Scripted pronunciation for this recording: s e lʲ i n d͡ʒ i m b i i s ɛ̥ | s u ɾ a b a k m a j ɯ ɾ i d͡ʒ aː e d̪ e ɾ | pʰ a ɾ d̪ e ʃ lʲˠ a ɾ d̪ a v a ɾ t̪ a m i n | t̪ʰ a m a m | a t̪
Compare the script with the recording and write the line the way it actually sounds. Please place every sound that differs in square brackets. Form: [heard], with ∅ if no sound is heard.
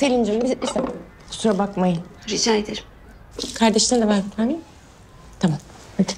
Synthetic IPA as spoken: s e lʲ i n d͡ʒ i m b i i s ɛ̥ | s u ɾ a b a k m a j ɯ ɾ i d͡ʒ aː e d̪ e ɾ | [kʰ] a ɾ d̪ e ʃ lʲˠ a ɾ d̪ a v a ɾ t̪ a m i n | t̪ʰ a m a m | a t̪